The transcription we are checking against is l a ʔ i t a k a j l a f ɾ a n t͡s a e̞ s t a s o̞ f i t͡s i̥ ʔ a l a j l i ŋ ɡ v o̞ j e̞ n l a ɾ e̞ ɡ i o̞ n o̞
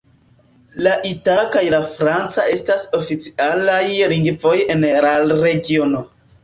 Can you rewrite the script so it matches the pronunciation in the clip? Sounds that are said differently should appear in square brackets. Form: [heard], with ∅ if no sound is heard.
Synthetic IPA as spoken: l a ʔ i t a k a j l a f ɾ a n t͡s a e̞ s t a s o̞ f i t͡s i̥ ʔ a l a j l i ŋ ɡ v o̞ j e̞ n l a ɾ e̞ ɡ i o̞ n o̞